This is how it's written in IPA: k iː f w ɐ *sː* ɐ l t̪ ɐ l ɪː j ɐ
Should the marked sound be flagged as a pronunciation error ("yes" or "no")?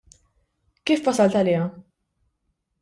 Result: yes